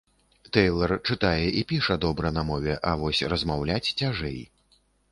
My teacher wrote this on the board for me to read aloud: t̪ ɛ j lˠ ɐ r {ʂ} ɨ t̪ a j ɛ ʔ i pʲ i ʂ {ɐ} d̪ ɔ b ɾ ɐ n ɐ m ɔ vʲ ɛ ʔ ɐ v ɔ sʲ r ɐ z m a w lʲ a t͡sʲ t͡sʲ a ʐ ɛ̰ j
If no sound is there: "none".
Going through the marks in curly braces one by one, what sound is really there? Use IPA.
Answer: t͡ʂ, ɐ

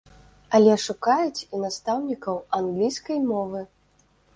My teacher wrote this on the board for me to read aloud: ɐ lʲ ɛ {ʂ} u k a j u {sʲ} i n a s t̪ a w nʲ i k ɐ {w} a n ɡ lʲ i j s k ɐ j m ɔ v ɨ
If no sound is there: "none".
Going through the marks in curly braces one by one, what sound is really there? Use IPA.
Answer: ʂ, t͡sʲ, w

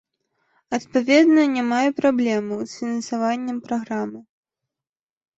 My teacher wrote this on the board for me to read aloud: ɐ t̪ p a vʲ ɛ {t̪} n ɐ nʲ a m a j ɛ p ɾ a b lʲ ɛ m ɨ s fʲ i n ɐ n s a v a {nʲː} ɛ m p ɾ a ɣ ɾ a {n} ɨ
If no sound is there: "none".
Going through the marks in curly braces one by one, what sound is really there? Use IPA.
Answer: d̪, nʲː, m

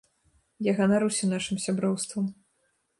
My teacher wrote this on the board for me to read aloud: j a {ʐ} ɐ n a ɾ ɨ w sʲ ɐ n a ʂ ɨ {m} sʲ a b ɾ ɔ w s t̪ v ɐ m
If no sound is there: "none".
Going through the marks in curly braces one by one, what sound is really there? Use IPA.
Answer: ɣ, m

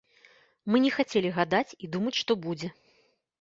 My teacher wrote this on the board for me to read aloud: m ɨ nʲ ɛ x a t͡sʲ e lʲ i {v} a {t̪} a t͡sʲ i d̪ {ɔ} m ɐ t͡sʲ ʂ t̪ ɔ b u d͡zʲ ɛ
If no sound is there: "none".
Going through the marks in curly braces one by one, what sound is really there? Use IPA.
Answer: ɣ, d̪, u

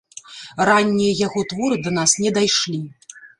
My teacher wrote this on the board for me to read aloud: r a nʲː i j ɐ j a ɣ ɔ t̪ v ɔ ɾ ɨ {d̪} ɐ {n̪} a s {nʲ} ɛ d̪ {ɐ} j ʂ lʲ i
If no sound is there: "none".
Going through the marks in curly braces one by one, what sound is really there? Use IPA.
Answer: d̪, n̪, nʲ, a

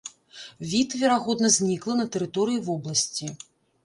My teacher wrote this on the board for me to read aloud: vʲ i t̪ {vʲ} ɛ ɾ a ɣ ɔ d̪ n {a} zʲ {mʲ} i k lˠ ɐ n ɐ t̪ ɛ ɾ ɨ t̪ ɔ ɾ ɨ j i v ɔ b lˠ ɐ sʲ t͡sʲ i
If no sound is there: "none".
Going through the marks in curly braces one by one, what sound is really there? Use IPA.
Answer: vʲ, ɐ, nʲ

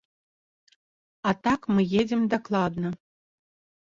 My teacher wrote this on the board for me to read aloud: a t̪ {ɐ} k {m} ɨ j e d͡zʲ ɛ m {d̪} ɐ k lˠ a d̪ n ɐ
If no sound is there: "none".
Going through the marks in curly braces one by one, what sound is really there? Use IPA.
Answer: a, m, d̪

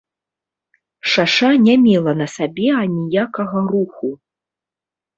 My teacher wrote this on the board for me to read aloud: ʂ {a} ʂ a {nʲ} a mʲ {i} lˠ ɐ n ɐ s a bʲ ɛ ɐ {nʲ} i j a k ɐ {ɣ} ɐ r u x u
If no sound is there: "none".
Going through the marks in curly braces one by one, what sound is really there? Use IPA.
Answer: a, nʲ, ɛ, nʲ, ɣ

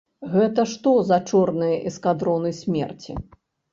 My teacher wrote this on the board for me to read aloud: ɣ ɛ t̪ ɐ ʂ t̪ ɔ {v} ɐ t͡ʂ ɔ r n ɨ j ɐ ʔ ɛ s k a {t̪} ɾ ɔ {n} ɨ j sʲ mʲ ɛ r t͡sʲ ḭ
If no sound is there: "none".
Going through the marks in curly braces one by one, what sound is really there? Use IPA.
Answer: z, d̪, n

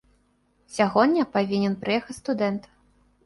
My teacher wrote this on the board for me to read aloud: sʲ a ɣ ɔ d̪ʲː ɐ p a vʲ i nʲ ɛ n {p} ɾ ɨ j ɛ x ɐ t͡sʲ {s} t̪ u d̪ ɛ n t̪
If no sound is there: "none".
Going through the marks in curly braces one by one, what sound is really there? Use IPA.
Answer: p, s

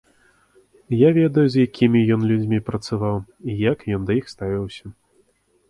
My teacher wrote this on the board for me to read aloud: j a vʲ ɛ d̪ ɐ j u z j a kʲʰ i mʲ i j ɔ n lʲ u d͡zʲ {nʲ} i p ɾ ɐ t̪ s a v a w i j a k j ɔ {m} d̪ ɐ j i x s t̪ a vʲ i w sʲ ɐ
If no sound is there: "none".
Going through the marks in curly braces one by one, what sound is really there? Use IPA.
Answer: mʲ, n

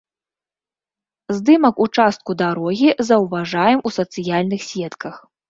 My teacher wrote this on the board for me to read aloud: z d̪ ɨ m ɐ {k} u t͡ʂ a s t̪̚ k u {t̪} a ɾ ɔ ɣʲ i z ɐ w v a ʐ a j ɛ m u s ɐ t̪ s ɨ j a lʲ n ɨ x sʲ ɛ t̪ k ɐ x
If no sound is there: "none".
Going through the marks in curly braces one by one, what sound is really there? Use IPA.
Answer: k, d̪

